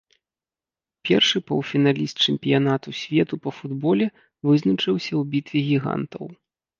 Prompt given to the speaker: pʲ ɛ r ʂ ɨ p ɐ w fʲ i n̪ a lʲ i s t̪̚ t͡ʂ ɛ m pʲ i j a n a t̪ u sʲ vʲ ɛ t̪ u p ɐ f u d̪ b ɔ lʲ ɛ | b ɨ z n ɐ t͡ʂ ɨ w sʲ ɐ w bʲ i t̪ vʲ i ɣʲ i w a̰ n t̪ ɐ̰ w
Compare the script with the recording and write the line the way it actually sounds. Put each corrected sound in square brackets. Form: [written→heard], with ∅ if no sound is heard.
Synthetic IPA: pʲ ɛ r ʂ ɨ p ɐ w fʲ i n̪ a lʲ i s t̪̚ t͡ʂ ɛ m pʲ i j a n a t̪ u sʲ vʲ ɛ t̪ u p ɐ f u d̪ b ɔ lʲ ɛ | [b→v] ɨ z n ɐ t͡ʂ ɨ w sʲ ɐ w bʲ i t̪ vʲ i ɣʲ i [w→ɣ] a̰ n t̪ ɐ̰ w